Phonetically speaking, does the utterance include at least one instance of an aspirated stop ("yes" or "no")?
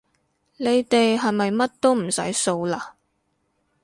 no